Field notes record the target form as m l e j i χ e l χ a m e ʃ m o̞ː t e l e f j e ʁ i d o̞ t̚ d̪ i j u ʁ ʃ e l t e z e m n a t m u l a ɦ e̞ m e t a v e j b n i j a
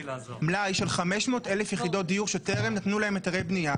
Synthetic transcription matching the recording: m l a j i ʃ e l χ a m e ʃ m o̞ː t e l e f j e χ i d o̞ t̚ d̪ i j u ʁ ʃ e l t e ʁ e m n a t n u l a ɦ e̞ m e t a ʁ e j b n i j a